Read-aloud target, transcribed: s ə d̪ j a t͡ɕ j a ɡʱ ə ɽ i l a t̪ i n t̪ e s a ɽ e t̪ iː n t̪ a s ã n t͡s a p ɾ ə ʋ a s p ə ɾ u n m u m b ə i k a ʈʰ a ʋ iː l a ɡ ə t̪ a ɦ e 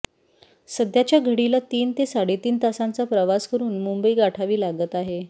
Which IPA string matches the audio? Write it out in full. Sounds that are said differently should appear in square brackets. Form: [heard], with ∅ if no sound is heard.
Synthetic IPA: s ə d̪ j a t͡ɕ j a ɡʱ ə ɽ i l a t̪ [iː] n t̪ e s a ɽ e t̪ iː n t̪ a s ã n t͡s a p ɾ ə ʋ a s [k] ə ɾ [uː] n m u m b ə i [ɡ] a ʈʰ a ʋ iː l a ɡ ə t̪ a ɦ e